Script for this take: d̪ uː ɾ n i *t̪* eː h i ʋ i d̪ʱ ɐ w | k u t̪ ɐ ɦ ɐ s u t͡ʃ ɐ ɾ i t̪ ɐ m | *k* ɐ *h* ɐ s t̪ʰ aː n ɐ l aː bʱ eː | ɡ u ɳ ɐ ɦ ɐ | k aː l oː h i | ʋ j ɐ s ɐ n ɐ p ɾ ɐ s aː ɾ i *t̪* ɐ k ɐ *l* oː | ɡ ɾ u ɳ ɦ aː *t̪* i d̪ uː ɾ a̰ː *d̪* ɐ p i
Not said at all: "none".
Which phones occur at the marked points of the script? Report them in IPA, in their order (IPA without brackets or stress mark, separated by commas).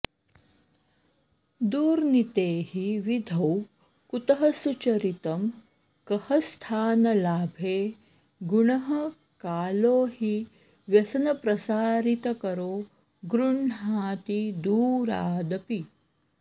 t̪, k, h, t̪, ɾ, t̪, d̪